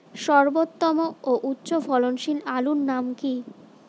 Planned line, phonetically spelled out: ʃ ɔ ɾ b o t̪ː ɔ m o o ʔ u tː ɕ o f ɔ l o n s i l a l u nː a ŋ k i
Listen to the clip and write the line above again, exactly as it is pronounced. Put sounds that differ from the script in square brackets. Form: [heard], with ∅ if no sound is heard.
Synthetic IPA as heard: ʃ ɔ ɾ b o t̪ː ɔ m o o ʔ u tː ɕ o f ɔ l o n [ʃ] i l a l u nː a [m] k i